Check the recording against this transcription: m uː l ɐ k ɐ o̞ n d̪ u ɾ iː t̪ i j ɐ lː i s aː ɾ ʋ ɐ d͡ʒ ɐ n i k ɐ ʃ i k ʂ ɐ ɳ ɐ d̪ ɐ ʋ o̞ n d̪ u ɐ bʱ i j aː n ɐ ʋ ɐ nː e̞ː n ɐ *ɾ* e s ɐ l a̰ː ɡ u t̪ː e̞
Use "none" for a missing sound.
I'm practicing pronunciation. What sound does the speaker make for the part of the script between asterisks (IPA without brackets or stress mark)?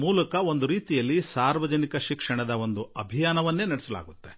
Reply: ɽ